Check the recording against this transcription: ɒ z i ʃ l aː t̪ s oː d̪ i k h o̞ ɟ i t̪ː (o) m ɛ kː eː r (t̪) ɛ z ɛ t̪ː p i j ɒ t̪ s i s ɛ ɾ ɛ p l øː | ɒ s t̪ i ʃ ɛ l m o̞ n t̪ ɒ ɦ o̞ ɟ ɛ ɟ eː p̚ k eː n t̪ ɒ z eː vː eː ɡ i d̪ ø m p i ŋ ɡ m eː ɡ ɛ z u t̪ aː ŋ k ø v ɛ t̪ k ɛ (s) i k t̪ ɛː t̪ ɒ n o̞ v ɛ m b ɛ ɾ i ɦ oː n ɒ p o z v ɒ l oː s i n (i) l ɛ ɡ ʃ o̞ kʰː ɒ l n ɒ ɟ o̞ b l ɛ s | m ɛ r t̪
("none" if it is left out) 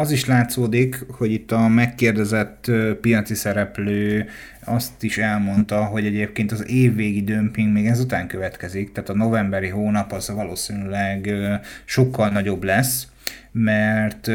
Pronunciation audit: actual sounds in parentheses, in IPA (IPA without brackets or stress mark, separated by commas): ɒ, d̪, z, y